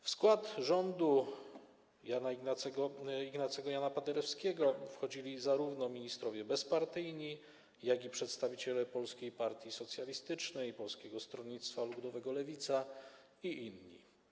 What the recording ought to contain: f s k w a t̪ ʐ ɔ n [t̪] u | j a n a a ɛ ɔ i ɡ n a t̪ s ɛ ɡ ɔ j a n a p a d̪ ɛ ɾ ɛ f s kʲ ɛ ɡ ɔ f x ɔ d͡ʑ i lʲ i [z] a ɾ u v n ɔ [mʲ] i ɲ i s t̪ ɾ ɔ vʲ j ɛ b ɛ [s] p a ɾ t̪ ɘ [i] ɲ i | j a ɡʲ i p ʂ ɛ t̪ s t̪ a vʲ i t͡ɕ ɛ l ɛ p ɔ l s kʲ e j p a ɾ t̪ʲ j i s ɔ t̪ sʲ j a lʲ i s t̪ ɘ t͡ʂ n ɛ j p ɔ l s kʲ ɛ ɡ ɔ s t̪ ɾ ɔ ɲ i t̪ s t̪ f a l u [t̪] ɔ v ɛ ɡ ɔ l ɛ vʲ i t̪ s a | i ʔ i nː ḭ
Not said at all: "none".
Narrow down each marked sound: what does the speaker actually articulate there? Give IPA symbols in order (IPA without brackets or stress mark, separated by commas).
d̪, z, mʲ, s, j, d̪